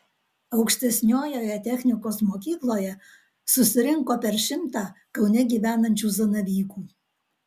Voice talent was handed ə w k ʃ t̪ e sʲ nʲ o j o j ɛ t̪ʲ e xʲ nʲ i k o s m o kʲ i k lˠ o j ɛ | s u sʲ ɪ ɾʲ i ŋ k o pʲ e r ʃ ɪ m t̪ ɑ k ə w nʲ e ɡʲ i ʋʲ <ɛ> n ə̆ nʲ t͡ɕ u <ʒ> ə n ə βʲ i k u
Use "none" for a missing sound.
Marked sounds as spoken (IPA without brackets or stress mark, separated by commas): æ, z